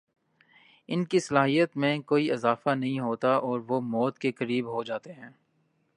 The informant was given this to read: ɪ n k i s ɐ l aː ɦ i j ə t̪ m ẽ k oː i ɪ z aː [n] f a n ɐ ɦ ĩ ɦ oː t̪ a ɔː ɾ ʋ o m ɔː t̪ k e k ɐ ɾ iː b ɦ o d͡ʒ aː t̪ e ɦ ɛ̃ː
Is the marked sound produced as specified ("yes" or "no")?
no